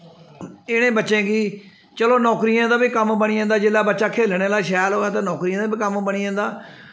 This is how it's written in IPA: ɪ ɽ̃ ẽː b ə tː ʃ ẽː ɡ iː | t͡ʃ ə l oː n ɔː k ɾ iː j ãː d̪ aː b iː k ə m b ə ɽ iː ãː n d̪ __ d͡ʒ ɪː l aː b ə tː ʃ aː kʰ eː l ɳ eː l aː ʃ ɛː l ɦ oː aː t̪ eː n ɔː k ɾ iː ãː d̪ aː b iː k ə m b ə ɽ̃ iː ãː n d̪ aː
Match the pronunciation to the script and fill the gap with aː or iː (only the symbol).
aː